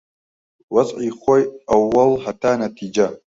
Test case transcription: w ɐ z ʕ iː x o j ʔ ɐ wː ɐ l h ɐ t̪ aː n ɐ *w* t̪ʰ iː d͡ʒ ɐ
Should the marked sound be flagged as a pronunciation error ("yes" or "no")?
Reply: yes